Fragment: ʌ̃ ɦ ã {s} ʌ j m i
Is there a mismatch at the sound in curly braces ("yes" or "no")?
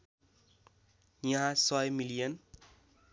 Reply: no